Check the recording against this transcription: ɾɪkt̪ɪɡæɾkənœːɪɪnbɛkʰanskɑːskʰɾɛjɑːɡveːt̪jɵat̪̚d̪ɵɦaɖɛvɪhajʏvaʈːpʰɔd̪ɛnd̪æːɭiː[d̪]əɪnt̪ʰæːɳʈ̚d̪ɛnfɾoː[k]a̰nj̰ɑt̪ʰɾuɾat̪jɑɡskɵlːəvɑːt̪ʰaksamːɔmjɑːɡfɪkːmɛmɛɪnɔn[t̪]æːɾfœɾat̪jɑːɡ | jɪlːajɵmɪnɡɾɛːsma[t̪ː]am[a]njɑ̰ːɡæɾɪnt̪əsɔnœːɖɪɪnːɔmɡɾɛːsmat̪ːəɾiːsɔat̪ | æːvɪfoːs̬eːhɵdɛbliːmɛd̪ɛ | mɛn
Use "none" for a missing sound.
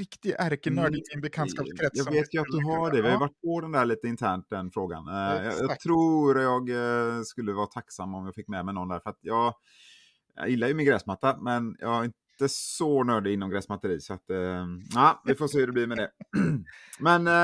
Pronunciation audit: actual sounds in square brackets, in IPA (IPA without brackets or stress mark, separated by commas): t̪, ɡ, d̪, t̪ː, ɛ